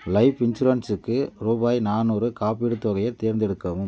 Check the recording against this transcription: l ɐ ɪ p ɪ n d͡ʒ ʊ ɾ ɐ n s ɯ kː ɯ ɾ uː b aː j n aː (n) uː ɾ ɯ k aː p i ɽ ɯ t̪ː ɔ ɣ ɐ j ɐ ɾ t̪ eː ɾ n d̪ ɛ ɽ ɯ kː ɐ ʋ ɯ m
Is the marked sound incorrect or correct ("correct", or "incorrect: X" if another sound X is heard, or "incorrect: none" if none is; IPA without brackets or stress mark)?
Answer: correct